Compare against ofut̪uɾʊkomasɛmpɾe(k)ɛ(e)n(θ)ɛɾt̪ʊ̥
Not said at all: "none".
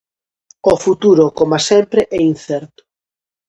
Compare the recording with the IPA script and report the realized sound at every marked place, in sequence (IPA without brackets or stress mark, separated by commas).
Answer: ʔ, i, θ